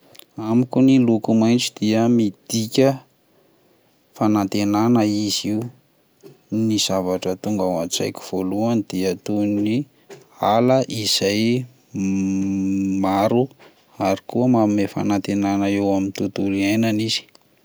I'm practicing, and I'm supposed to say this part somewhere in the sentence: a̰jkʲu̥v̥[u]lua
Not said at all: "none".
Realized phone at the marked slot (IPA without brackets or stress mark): o